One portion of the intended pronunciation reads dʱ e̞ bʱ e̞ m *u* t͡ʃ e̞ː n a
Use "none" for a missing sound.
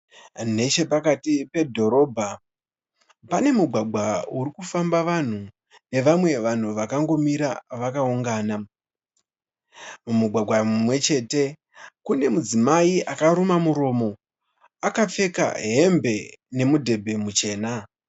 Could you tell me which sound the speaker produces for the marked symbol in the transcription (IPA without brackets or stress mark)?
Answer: u